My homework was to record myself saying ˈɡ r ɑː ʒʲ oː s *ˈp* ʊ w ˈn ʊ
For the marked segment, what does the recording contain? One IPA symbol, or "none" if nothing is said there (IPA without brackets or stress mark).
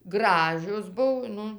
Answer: b